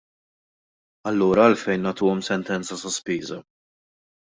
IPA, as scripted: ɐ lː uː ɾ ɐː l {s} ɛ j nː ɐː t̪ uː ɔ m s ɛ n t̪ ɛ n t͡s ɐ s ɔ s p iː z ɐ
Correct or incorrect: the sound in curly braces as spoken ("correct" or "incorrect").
incorrect